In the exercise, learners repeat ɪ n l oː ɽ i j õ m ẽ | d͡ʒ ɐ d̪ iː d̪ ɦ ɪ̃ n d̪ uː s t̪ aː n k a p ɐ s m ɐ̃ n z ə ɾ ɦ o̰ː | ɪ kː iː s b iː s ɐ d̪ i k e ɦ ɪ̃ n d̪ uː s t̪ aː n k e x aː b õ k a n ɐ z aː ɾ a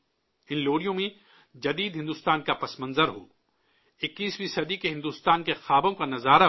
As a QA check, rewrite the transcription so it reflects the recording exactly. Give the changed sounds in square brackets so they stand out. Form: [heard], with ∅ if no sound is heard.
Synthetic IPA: ɪ n l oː ɽ i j õ m ẽ | d͡ʒ ɐ d̪ iː d̪ ɦ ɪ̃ n d̪ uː s t̪ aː n k a p ɐ s m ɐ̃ n z ə ɾ ɦ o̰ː | ɪ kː iː s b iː s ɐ d̪ i k e ɦ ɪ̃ n d̪ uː s t̪ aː n k e x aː b õ k a n ɐ z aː ɾ a